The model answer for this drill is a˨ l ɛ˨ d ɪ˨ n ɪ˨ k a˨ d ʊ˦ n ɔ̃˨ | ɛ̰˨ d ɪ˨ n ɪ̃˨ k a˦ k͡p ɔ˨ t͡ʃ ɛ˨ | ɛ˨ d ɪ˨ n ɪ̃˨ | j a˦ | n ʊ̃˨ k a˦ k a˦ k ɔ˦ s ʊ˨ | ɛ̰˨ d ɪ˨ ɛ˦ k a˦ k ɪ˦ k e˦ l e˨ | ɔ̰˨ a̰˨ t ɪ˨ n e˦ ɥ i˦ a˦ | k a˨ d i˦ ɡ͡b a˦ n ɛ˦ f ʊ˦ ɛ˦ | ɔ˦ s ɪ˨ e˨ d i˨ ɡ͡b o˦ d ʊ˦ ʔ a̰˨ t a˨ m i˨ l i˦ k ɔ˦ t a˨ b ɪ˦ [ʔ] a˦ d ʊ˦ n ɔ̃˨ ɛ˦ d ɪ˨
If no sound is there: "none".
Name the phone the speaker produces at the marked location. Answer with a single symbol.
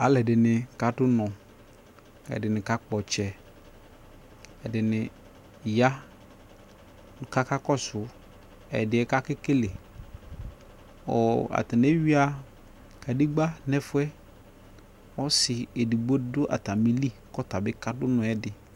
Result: k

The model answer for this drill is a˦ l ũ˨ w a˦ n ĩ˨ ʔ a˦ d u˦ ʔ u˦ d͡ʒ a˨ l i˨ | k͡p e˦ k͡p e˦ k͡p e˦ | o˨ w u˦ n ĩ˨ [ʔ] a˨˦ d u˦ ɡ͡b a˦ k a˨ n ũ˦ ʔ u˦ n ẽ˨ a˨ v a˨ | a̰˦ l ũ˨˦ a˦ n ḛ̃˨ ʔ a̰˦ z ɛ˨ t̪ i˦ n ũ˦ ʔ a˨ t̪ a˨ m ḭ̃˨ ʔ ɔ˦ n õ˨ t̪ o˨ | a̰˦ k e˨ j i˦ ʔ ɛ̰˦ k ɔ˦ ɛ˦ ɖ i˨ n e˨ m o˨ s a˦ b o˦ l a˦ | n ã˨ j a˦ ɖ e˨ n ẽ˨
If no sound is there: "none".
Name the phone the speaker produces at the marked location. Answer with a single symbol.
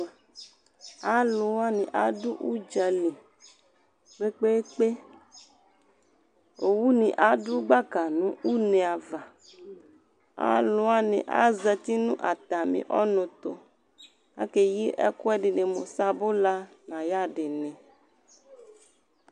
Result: ʔ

